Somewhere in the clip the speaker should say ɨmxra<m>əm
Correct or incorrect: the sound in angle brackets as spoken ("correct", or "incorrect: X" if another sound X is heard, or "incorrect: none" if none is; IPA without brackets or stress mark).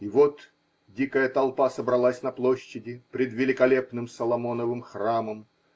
correct